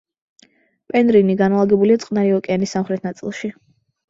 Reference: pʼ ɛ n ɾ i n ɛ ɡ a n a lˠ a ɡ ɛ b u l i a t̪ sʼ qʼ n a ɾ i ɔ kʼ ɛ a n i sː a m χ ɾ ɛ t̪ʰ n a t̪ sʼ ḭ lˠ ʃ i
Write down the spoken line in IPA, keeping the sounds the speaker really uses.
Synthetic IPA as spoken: pʼ ɛ n ɾ i n i ɡ a n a lˠ a ɡ ɛ b u l i a t̪ sʼ qʼ n a ɾ i ɔ kʼ ɛ a n i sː a m χ ɾ ɛ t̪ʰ n a t̪ sʼ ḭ lˠ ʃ i